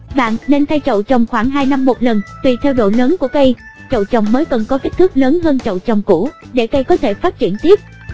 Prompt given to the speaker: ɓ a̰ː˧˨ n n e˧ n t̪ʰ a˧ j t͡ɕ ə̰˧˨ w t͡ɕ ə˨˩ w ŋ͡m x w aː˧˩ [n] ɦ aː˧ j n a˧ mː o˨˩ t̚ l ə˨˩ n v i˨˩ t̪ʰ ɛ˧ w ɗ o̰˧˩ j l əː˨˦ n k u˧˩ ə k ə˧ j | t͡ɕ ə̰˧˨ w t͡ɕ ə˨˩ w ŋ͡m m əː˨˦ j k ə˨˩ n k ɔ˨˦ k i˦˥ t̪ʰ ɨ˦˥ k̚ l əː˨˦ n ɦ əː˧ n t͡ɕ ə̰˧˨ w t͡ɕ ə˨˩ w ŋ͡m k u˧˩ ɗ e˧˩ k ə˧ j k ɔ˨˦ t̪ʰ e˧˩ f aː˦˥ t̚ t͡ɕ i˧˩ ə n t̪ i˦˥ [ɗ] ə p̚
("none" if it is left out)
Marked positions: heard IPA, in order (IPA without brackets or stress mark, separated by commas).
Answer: ŋ, none